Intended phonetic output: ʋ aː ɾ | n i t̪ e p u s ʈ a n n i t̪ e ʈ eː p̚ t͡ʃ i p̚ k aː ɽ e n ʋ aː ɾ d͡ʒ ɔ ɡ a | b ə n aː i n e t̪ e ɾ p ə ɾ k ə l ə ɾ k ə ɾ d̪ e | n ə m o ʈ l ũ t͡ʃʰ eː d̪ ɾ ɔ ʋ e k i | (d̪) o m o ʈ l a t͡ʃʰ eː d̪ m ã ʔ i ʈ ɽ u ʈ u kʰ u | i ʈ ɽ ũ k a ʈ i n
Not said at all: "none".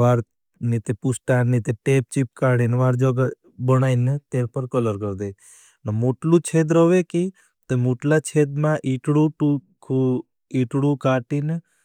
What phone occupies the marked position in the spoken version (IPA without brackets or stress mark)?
t̪